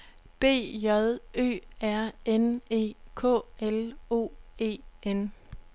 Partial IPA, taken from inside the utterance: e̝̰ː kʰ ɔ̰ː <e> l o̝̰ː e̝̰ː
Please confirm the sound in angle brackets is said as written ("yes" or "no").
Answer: yes